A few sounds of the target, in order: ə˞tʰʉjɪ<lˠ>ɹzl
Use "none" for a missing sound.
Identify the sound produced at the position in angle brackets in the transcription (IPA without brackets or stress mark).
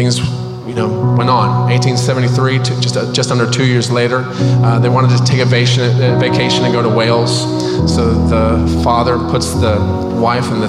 none